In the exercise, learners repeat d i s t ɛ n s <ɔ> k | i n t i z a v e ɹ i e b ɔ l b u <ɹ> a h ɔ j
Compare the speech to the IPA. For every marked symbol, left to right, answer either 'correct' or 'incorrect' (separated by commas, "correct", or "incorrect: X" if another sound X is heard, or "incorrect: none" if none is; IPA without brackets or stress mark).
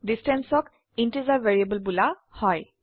correct, incorrect: l